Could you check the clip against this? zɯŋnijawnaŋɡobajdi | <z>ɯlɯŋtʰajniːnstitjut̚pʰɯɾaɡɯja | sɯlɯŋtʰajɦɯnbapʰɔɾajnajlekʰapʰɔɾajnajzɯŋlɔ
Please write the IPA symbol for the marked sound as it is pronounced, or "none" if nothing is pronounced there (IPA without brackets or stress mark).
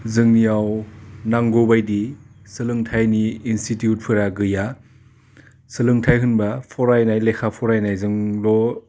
s